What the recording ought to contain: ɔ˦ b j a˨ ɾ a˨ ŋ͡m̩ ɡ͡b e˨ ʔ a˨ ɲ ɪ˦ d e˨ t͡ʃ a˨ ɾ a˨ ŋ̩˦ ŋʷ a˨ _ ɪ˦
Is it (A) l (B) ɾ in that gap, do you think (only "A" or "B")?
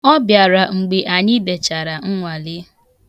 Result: A